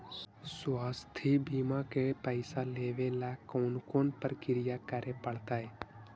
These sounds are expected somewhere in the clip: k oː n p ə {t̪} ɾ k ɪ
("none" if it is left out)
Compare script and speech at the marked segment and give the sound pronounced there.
none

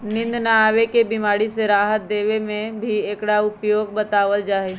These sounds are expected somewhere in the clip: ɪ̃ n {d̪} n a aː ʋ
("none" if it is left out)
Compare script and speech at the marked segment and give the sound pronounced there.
d̪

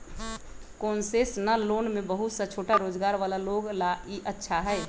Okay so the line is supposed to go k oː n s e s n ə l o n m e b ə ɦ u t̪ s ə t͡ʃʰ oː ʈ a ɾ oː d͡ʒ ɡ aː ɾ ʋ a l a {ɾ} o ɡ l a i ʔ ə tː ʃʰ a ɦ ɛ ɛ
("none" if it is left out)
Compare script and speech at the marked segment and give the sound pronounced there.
l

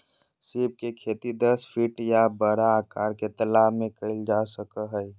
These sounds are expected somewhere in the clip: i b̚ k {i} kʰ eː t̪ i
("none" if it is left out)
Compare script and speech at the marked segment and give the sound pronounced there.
e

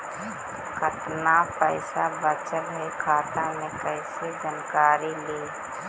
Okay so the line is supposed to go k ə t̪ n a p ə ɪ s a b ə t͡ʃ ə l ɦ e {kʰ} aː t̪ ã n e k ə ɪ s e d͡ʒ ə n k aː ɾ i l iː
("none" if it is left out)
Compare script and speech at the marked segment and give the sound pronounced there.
kʰ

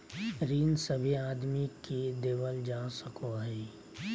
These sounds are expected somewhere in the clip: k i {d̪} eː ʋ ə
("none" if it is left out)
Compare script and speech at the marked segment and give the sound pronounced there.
d̪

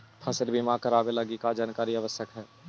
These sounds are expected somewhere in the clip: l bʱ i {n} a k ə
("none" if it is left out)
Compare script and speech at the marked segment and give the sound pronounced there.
m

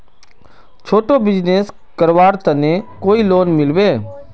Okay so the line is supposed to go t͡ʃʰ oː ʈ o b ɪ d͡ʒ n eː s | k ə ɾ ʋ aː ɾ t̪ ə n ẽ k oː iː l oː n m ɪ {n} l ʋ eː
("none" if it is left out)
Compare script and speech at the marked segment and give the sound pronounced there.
none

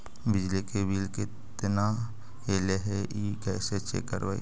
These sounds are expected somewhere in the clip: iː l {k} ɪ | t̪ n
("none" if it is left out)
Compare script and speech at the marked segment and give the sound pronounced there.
k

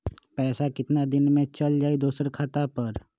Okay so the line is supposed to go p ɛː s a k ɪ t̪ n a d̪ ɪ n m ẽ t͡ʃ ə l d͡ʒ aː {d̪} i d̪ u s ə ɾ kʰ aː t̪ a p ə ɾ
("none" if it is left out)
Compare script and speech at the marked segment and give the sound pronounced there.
none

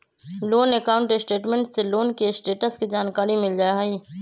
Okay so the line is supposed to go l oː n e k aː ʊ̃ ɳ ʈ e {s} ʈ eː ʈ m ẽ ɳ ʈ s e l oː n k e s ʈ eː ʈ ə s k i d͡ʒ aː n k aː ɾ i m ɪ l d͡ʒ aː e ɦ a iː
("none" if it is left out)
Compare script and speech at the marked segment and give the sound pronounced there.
s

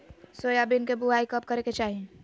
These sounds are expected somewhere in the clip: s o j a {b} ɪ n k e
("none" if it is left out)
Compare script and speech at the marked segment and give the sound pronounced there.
b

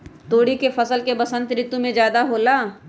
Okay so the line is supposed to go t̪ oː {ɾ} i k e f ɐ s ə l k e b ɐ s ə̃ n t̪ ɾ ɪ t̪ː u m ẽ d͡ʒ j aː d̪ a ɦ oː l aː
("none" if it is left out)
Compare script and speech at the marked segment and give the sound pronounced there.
ɽ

